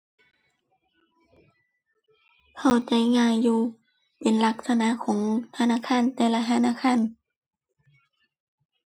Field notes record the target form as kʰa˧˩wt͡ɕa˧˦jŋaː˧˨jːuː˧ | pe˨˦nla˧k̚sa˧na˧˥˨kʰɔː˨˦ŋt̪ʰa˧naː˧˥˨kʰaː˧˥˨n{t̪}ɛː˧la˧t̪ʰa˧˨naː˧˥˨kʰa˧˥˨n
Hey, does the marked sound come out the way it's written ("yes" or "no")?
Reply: yes